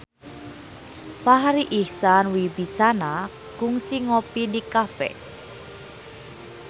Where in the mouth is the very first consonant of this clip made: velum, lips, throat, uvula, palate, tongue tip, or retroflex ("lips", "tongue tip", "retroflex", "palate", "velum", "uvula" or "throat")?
lips